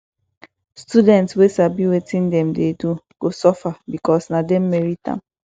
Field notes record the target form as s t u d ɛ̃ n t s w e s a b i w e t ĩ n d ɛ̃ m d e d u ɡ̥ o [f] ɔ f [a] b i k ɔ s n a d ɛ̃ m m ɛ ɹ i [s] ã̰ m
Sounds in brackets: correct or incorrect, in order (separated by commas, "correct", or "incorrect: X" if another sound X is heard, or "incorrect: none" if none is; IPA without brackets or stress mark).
incorrect: s, correct, incorrect: t